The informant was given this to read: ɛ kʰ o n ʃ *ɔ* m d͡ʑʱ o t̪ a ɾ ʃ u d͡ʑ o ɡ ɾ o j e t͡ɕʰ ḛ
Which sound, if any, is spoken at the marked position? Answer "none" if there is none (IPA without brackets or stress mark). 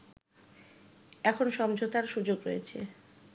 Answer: ɔ